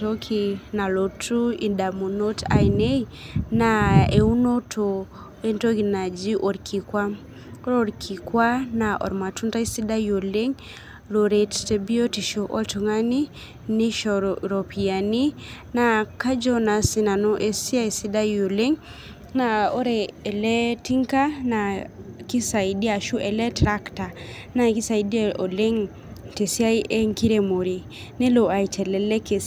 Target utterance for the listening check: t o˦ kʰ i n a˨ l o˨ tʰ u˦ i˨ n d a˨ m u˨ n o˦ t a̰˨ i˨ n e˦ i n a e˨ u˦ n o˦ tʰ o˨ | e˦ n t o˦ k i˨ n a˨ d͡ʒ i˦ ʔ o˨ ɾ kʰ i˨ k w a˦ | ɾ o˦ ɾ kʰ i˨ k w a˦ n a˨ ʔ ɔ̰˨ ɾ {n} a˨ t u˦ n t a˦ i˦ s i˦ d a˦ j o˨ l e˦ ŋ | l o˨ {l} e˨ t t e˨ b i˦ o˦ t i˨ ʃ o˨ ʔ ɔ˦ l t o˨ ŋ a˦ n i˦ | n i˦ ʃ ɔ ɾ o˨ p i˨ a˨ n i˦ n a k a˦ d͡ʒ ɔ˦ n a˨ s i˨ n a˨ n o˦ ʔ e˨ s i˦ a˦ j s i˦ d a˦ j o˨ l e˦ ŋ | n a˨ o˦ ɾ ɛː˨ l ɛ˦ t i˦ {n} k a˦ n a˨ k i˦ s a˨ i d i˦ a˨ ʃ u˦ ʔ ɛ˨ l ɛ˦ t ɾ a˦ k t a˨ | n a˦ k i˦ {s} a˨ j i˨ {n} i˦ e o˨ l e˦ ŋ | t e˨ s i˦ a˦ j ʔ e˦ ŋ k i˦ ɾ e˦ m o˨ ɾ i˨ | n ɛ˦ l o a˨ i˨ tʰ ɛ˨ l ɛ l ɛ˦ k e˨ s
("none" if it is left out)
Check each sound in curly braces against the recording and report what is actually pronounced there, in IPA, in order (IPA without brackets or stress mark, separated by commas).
m, ɾ, ŋ, s, d